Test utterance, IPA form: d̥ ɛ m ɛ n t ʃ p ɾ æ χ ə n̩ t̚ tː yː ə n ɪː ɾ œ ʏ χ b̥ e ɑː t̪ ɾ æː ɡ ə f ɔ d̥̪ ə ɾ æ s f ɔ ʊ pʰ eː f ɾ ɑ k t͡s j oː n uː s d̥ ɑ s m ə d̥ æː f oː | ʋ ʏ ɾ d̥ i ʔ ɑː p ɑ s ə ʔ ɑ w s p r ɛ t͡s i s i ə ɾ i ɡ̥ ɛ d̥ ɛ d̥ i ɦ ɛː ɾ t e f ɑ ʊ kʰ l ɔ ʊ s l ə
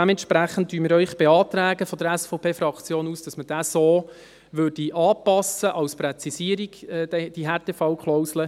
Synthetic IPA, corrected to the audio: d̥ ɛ m ɛ n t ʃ p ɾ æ χ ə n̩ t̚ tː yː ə m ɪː ɾ œ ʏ χ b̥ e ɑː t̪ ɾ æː ɡ ə f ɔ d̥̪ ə ɾ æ s f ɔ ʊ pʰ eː f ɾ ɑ k t͡s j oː n uː s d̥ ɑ s m ə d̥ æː s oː | ʋ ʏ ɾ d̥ i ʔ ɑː p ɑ s ə ʔ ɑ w s p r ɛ t͡s i s i ə ɾ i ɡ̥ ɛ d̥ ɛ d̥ i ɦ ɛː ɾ t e f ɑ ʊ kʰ l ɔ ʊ s l ə